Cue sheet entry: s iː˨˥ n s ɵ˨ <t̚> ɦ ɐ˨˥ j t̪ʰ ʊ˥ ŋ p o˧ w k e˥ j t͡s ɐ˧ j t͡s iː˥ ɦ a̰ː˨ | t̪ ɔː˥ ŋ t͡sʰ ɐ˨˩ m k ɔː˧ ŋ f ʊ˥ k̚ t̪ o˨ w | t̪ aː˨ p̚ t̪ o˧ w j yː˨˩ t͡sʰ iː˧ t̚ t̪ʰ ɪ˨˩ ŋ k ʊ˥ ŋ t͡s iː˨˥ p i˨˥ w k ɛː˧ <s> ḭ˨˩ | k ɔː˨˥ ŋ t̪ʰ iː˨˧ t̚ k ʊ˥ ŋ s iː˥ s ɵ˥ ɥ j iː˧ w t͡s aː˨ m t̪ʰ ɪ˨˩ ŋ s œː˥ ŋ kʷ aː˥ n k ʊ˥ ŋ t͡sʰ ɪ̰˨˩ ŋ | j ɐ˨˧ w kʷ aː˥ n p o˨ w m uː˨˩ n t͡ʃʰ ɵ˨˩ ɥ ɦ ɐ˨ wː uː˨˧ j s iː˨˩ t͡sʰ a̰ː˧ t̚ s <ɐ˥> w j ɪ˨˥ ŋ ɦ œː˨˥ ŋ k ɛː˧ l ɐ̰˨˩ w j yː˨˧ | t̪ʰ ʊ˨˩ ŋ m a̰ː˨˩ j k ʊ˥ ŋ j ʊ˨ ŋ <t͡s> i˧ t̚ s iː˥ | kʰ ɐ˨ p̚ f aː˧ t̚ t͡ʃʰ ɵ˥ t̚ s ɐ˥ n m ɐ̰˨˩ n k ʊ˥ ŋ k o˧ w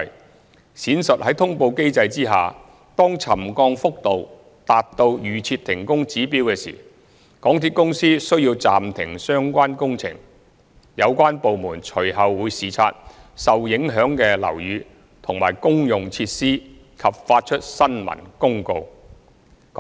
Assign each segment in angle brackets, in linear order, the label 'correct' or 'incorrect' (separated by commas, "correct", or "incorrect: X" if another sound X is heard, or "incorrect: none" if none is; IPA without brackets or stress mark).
correct, correct, incorrect: ɐ˨, incorrect: t͡sʰ